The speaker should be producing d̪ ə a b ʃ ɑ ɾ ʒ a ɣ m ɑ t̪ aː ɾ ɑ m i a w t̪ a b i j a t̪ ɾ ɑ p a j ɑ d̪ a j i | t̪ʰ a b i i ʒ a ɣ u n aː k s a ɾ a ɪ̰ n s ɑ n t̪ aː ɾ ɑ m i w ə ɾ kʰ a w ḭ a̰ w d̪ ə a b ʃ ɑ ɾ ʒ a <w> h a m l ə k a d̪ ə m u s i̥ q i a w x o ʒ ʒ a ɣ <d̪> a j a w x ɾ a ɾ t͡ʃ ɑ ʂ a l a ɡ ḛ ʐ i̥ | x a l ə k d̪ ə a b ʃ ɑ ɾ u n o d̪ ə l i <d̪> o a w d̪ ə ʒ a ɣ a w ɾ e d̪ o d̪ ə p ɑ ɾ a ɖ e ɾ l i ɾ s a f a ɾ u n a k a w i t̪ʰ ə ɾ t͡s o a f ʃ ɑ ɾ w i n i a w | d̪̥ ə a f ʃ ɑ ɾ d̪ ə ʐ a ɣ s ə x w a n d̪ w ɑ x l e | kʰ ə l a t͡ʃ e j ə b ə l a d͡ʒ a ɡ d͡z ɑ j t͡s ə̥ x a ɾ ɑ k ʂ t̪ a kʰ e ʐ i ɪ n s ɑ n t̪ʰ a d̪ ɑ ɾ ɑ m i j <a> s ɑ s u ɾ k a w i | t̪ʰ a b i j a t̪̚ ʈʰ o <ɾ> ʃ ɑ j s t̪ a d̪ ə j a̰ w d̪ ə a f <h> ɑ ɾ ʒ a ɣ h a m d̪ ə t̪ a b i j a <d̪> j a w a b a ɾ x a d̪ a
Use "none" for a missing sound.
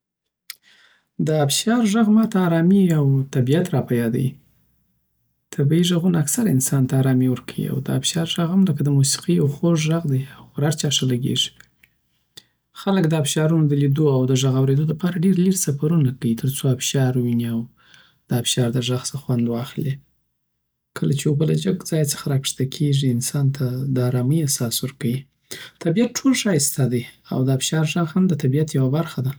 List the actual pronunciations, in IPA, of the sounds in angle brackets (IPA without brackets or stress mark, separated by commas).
ɣ, d̪, d̪, a, l, ʃ, t̪